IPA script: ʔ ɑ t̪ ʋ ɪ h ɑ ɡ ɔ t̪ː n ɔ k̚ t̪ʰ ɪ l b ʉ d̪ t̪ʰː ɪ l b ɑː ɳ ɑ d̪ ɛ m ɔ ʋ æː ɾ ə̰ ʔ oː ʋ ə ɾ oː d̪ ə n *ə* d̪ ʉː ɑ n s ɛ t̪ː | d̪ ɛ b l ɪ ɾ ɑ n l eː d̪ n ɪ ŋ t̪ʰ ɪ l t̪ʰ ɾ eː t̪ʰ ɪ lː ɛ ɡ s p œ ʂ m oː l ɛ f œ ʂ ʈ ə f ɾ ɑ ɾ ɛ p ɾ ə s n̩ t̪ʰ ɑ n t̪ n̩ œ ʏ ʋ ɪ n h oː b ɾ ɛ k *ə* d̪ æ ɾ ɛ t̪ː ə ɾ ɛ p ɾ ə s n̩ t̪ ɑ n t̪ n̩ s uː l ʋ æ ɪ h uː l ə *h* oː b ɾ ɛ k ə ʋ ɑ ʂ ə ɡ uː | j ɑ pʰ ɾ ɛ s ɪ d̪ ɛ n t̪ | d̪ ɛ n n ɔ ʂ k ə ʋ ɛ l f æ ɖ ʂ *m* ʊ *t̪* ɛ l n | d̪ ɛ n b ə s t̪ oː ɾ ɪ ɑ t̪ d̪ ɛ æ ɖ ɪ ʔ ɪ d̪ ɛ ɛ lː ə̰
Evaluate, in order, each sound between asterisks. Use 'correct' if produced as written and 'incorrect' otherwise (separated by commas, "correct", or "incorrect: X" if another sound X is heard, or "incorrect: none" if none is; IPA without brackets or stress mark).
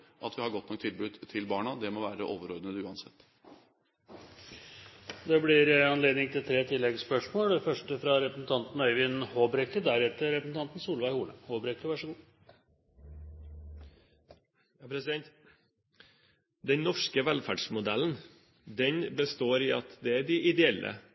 correct, correct, correct, correct, incorrect: d̪